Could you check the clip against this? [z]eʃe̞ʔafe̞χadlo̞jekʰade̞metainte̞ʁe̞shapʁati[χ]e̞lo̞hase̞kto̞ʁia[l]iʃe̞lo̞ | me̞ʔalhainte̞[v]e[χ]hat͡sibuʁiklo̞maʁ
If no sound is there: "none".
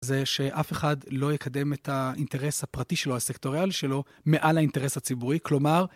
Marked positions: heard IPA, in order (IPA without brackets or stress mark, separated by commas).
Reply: z, ʃ, l, ʁ, s